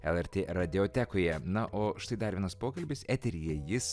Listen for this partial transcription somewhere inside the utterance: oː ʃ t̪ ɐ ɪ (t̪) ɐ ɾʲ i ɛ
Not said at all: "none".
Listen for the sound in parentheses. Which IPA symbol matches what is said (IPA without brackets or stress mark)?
d̪